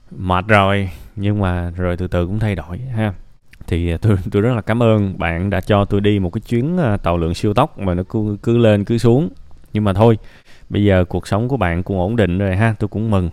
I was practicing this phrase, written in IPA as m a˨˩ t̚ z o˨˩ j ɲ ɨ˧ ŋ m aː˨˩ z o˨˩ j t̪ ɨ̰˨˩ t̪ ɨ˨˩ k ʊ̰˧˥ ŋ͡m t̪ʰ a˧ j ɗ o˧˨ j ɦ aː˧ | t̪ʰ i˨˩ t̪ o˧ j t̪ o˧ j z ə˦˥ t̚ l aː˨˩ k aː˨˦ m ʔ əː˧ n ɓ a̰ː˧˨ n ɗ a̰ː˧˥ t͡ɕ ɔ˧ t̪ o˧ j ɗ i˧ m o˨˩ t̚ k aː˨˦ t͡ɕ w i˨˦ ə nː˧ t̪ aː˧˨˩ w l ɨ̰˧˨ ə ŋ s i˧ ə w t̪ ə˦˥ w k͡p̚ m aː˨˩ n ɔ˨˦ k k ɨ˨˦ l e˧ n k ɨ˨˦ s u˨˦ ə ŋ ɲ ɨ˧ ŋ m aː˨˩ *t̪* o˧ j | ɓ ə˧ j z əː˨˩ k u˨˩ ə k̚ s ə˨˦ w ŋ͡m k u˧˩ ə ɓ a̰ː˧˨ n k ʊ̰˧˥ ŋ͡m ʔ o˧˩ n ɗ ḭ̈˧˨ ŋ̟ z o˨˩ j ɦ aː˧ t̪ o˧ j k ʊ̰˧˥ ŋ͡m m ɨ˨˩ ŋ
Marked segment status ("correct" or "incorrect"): incorrect